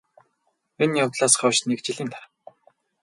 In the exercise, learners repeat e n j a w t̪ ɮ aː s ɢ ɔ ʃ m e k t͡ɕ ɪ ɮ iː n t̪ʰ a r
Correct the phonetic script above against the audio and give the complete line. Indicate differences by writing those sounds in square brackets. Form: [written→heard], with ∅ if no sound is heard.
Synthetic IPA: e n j a w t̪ ɮ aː s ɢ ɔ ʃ [m→n] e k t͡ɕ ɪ ɮ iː n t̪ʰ a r